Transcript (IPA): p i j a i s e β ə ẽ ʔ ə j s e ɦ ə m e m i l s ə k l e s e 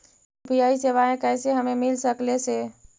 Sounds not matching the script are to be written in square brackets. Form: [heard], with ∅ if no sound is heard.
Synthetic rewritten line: p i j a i s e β [a] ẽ [k] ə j s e ɦ ə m e m i l s ə k l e s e

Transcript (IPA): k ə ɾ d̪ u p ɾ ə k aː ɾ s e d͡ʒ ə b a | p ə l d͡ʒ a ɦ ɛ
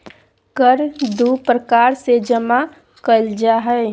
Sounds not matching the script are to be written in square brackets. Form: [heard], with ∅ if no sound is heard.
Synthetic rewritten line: k ə ɾ d̪ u p ɾ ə k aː ɾ s e d͡ʒ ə [m] a | [k] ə l d͡ʒ a ɦ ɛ

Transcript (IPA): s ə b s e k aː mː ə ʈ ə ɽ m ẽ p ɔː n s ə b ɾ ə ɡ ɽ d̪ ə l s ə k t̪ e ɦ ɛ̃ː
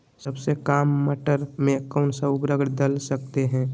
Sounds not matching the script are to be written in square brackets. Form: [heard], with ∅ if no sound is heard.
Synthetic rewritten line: s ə b s e k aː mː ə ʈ ə [ɾ] m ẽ [k] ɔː n s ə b ɾ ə ɡ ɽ d̪ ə l s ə k t̪ e ɦ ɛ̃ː

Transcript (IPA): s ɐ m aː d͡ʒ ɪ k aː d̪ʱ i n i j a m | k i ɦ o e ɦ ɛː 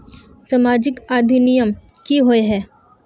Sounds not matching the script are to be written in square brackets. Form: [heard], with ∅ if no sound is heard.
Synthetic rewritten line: s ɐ m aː d͡ʒ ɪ k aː d̪ʱ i n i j [ə] m | k i ɦ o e ɦ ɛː

